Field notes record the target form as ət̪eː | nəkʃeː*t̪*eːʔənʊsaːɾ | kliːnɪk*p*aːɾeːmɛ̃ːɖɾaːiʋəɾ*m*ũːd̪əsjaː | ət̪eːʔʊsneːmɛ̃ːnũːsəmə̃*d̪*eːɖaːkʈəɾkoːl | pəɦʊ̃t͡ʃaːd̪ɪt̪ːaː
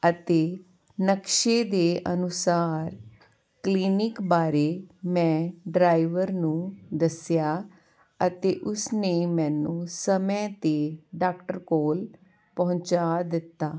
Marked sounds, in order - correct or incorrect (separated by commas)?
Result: incorrect, incorrect, incorrect, incorrect